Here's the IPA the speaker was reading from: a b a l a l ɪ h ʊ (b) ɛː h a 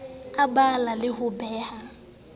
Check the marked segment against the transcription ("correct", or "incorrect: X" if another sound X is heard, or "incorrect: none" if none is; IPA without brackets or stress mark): correct